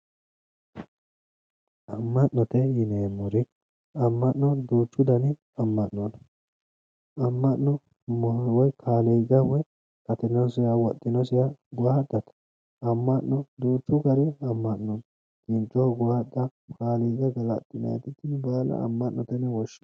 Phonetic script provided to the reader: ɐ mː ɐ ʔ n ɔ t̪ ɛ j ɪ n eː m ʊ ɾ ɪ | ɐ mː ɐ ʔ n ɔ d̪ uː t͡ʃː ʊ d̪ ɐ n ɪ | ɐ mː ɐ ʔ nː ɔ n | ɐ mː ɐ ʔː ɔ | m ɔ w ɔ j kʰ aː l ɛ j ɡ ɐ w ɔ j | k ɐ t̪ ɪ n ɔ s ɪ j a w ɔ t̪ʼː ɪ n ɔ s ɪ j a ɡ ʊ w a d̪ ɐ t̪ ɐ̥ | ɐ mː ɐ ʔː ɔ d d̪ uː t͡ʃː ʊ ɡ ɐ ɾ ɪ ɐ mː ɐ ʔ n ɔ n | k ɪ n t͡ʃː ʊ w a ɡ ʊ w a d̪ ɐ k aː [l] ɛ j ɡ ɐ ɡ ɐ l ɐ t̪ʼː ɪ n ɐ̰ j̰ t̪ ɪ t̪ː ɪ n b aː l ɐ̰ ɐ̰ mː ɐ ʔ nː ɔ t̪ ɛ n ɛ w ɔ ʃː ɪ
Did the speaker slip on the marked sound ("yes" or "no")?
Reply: no